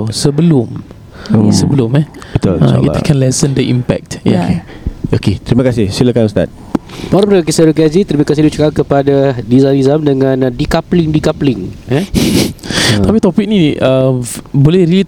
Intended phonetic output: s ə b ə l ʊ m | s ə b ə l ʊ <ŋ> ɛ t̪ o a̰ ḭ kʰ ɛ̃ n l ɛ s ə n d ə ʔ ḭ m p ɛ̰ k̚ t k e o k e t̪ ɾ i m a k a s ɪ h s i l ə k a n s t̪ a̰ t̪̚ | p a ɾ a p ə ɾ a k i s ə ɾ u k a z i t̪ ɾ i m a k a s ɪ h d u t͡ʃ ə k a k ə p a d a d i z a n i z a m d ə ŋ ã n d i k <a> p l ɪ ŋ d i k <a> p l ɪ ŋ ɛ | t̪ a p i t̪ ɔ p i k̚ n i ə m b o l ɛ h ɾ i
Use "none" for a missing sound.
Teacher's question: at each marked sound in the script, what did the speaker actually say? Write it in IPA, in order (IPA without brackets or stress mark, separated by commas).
m, a, a